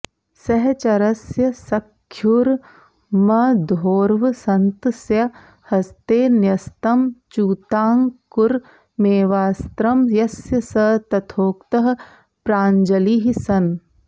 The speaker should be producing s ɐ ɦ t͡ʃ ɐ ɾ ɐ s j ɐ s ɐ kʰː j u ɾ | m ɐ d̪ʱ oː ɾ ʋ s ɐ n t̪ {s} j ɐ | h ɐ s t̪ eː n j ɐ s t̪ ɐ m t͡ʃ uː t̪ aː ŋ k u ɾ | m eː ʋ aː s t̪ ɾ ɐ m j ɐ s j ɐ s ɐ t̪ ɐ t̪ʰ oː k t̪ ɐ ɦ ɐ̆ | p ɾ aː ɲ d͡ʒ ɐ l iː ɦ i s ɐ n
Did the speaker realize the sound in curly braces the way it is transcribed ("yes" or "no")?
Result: yes